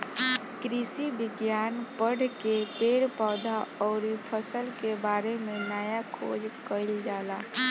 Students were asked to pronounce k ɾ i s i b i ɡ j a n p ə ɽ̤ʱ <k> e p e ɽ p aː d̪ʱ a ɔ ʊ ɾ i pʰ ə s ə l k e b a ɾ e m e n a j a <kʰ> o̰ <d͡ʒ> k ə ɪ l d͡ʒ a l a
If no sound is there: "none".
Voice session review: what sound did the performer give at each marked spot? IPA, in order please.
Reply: k, kʰ, d͡ʒ

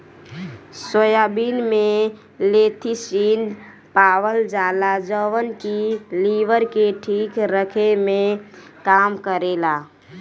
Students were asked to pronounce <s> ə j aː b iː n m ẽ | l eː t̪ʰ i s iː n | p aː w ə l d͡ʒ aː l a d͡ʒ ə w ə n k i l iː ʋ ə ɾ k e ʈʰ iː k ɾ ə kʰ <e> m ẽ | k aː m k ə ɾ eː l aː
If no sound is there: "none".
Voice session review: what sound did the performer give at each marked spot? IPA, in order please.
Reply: s, e

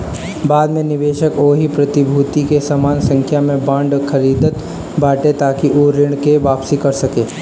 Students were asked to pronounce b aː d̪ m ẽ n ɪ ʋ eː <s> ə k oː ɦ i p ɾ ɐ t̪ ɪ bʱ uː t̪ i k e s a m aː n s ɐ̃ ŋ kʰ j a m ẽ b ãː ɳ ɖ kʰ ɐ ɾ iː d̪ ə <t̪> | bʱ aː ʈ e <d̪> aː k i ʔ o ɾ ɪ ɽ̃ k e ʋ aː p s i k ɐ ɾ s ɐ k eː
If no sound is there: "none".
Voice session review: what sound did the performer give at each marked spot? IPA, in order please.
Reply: ʃ, t̪, t̪

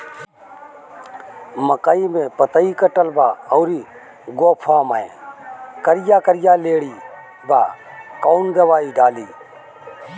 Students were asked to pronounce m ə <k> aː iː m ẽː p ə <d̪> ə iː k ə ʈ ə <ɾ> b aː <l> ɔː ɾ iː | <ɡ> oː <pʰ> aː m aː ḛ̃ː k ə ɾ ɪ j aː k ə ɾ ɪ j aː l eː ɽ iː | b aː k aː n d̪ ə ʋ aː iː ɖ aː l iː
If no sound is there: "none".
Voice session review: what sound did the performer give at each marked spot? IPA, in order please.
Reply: k, t̪, l, none, ɡ, pʰ

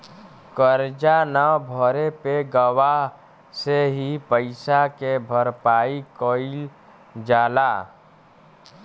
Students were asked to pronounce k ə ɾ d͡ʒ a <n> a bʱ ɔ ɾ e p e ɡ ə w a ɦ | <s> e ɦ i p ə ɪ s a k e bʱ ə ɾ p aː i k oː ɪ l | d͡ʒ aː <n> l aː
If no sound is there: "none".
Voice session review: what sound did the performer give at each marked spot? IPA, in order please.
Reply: n, s, none

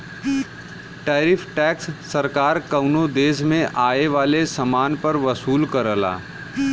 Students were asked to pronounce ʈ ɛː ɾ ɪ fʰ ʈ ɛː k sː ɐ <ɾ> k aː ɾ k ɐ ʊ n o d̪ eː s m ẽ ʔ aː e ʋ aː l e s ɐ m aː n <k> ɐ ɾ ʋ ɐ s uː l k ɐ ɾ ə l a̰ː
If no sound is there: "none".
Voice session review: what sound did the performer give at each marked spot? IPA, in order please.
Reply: ɾ, p

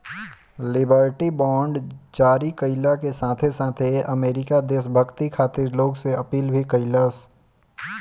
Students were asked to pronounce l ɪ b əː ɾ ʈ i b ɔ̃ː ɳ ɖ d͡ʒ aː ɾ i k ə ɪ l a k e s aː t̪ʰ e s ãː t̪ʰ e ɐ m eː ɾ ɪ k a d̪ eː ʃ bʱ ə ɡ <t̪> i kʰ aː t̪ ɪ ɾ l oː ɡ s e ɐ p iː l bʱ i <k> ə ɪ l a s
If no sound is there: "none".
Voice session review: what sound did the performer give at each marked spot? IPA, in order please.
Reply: t̪, k

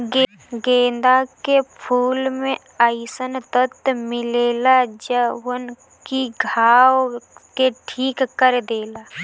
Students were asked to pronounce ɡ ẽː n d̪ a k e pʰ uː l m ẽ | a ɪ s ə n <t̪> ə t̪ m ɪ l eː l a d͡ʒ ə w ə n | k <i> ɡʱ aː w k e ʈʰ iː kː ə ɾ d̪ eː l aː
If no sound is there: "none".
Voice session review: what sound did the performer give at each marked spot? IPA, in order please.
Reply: t̪, i

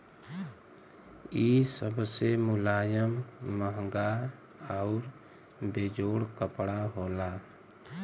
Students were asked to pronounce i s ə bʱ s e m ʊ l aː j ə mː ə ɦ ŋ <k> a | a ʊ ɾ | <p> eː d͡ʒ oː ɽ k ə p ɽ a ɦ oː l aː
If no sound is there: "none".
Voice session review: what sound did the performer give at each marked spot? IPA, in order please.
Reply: ɡ, b

